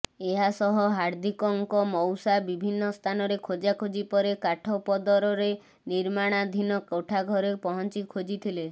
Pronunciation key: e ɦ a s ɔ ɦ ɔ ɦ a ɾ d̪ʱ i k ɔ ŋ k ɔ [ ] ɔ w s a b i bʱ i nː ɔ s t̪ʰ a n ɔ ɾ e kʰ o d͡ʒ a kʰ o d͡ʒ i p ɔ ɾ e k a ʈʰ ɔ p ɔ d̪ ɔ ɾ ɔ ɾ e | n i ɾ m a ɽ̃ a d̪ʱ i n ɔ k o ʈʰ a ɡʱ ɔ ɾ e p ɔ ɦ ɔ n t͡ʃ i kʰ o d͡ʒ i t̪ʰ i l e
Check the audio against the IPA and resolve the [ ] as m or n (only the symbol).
m